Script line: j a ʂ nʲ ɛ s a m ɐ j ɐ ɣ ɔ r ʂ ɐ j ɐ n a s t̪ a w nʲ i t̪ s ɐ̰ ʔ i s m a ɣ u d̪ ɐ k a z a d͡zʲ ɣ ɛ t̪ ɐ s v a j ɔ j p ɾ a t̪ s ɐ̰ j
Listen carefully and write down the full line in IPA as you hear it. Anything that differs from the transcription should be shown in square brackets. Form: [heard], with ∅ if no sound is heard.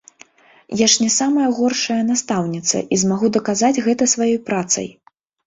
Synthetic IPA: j a ʂ nʲ ɛ s a m ɐ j ɐ ɣ ɔ r ʂ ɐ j ɐ n a s t̪ a w nʲ i t̪ s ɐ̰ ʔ i [z] m a ɣ u d̪ ɐ k a z a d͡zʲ ɣ ɛ t̪ ɐ s v a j ɔ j p ɾ a t̪ s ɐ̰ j